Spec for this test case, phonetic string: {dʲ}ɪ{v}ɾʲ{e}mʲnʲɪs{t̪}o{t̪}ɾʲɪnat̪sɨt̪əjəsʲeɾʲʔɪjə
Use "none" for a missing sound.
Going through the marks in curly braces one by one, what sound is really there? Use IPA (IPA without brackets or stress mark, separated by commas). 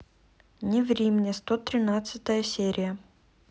nʲ, v, i, t̪, t̪